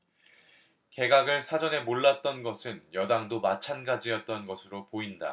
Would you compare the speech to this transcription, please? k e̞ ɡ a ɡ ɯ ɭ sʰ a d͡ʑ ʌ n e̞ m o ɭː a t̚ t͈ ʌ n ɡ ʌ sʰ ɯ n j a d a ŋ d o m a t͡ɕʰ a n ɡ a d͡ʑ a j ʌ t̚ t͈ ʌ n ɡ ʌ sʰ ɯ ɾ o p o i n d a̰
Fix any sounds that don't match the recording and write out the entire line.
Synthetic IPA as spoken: k e̞ ɡ a ɡ ɯ ɭ sʰ a d͡ʑ ʌ n e̞ m o ɭː a t̚ t͈ ʌ n ɡ ʌ sʰ ɯ n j ʌ d a ŋ d o m a t͡ɕʰ a n ɡ a d͡ʑ i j ʌ t̚ t͈ ʌ n ɡ ʌ sʰ ɯ ɾ o p o i n d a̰